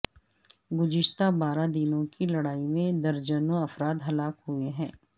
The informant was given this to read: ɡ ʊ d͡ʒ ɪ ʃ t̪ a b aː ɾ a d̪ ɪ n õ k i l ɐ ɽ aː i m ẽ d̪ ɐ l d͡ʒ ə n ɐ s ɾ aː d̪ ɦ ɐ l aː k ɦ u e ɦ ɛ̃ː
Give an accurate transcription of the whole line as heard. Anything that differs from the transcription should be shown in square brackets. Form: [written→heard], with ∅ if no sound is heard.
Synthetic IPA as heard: ɡ ʊ d͡ʒ ɪ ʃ t̪ a b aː ɾ a d̪ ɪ n õ k i l ɐ ɽ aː i m ẽ d̪ ɐ [l→ɾ] d͡ʒ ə n ɐ [s→f] ɾ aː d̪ ɦ ɐ l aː k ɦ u e ɦ ɛ̃ː

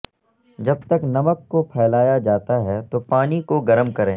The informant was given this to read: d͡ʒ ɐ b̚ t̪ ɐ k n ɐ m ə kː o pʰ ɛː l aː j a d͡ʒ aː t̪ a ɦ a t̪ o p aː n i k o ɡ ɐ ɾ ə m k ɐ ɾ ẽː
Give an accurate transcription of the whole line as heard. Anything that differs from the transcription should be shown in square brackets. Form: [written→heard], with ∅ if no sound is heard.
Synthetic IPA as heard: d͡ʒ ɐ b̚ t̪ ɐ k n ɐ m ə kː o pʰ ɛː l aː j a d͡ʒ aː t̪ a ɦ [a→ɛ] t̪ o p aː n i k o ɡ ɐ ɾ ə m k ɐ ɾ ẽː

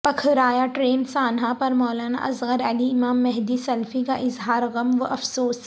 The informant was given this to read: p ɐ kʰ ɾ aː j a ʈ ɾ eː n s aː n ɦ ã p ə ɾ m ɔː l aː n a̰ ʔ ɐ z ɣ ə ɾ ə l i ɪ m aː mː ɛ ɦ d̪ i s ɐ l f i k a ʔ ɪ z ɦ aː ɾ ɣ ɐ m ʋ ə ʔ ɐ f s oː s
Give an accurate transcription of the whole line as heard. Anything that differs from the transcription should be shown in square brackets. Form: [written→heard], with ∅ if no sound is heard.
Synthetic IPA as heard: p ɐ kʰ ɾ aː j a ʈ ɾ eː n s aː n ɦ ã p [ə→ɐ] ɾ m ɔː l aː n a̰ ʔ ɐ z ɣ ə ɾ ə l i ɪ m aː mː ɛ ɦ d̪ i s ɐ l f i k a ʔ ɪ z ɦ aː ɾ ɣ ɐ m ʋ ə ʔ ɐ f s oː s

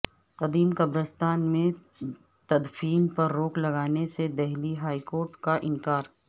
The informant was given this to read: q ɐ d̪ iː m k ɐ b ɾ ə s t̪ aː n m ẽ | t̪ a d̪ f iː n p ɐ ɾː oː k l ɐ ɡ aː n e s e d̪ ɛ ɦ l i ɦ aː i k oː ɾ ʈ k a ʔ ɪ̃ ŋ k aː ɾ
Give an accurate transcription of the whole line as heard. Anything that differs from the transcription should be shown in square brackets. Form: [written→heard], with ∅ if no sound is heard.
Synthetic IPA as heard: q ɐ d̪ iː m k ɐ b ɾ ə s t̪ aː n m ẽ | t̪ [a→ɐ] d̪ f iː n p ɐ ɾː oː k l ɐ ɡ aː n e s e d̪ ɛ ɦ l i ɦ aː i k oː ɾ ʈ k a ʔ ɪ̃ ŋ k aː ɾ

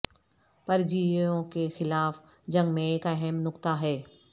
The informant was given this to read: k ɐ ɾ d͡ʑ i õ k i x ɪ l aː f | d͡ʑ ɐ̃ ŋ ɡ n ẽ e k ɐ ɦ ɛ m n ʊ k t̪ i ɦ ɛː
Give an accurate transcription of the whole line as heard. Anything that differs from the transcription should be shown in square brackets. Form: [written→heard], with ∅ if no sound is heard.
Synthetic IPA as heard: [k→p] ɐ ɾ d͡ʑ i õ k [i→e] x ɪ l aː f | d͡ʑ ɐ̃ ŋ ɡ [n→m] ẽ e k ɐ ɦ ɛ m n ʊ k t̪ [i→a] ɦ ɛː

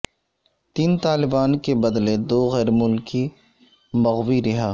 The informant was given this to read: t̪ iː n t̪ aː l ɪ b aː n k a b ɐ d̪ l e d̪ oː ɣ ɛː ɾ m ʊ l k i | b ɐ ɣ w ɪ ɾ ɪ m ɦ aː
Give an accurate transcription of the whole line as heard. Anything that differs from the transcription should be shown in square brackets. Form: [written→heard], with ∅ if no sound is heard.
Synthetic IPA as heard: t̪ iː n t̪ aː l ɪ b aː n k [a→e] b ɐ d̪ l e d̪ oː ɣ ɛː ɾ m ʊ l k i | [b→m] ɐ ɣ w [ɪ→i] ɾ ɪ [m→∅] ɦ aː

